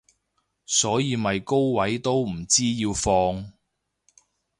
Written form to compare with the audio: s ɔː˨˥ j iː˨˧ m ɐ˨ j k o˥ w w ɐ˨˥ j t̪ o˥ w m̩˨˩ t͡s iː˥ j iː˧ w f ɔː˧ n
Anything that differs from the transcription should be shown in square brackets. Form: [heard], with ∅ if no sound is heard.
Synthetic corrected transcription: s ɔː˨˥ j iː˨˧ m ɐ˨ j k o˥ w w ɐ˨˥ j t̪ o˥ w m̩˨˩ t͡s iː˥ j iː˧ w f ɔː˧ [ŋ]